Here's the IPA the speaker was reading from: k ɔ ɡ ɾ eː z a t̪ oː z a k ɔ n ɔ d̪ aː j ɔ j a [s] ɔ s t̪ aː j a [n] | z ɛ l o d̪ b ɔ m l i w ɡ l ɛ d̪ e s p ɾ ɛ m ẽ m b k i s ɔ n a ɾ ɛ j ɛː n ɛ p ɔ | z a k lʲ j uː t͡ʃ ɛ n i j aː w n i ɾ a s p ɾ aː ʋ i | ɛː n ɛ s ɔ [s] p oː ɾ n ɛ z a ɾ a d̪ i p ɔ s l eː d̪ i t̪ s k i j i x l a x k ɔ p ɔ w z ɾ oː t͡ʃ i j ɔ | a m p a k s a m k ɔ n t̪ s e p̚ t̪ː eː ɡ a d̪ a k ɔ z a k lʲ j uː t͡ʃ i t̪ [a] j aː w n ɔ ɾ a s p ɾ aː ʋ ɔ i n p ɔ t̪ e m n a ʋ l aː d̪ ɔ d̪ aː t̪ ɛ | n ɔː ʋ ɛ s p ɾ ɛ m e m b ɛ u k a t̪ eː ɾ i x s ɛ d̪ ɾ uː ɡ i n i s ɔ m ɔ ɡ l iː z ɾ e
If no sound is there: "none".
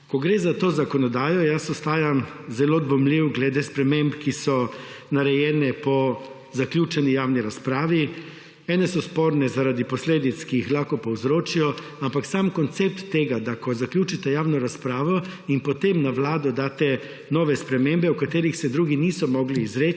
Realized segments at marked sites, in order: s, m, s, ɛ

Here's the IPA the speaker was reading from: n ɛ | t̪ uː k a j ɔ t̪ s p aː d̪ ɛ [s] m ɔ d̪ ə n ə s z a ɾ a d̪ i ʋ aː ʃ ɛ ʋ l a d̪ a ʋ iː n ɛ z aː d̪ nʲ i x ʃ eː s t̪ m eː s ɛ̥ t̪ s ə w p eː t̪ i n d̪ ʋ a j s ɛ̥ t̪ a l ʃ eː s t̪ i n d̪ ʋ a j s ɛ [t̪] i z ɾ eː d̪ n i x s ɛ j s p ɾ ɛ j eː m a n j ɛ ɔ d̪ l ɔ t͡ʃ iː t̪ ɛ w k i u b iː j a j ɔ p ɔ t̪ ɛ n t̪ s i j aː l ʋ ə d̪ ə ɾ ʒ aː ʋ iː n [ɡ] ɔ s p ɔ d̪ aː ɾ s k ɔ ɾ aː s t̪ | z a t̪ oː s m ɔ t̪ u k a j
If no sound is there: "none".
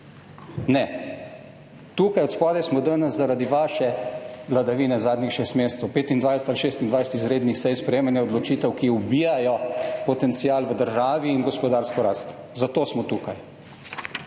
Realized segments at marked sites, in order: s, t̪, ɡ

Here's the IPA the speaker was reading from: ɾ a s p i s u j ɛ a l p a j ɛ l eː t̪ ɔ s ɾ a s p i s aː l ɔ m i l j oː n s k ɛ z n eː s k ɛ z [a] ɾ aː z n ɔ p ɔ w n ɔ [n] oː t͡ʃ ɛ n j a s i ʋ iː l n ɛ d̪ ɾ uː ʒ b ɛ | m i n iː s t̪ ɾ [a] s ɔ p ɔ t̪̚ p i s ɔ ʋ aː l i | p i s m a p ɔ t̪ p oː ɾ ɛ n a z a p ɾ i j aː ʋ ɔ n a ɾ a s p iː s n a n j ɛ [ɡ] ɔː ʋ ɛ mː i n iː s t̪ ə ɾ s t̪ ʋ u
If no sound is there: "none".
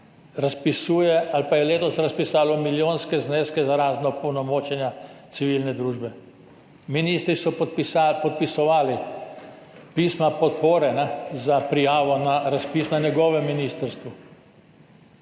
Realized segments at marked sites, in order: a, m, i, ɡ

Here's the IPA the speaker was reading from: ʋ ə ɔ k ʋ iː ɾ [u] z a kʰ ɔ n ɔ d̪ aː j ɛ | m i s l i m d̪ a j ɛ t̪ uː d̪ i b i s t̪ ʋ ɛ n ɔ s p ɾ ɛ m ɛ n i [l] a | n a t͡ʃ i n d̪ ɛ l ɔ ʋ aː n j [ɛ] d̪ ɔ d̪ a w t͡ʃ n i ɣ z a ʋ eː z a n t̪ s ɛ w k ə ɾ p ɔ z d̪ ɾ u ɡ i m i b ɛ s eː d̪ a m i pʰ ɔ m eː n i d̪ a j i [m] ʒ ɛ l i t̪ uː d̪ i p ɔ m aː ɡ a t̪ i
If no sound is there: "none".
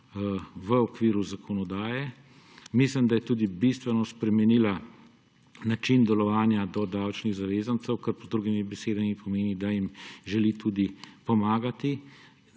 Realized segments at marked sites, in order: u, l, a, m

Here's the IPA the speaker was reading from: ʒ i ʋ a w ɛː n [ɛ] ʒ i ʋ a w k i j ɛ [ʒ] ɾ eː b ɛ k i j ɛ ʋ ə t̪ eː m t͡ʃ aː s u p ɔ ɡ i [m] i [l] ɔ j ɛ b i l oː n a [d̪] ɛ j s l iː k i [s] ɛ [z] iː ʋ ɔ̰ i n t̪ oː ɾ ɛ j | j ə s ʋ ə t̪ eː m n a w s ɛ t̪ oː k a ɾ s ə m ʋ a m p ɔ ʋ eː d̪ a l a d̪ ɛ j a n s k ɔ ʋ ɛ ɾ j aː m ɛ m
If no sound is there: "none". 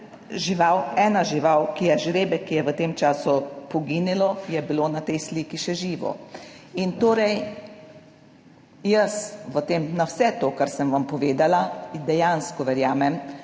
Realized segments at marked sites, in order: a, ʒ, n, l, t̪, ʃ, ʒ

